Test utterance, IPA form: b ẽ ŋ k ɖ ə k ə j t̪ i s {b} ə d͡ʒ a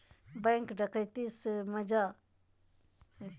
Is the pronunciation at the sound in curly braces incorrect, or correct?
incorrect